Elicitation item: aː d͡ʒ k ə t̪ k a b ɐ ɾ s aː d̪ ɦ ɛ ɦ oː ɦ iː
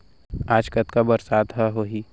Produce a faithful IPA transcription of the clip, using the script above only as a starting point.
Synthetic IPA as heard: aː d͡ʒ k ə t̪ k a b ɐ ɾ s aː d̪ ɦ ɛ ɦ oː ɦ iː

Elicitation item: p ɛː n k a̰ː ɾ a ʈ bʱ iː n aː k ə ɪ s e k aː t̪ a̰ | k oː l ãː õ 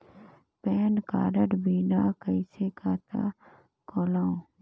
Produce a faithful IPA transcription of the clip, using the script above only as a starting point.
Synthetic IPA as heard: p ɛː n k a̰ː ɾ ə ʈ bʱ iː n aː k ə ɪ s e k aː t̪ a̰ | k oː l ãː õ

